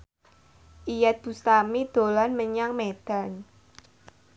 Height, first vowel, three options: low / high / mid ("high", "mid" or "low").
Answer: high